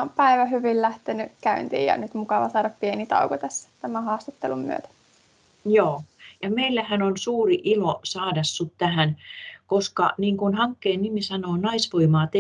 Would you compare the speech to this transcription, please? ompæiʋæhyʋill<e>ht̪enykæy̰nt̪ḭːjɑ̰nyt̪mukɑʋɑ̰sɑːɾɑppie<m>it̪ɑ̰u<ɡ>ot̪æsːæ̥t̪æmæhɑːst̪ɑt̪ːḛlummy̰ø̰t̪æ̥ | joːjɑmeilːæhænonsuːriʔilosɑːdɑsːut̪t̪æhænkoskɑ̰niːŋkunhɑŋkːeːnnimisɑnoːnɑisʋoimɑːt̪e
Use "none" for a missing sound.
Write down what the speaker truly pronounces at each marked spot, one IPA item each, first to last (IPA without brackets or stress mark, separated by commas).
æ, n, k